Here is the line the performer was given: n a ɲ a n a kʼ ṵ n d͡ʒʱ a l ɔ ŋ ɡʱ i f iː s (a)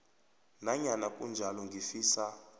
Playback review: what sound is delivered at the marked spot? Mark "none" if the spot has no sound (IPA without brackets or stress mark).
a